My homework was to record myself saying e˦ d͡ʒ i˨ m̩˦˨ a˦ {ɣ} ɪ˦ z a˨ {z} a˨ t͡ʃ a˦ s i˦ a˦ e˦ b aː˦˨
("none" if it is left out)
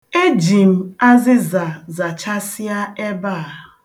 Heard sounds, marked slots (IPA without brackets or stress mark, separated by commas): z, z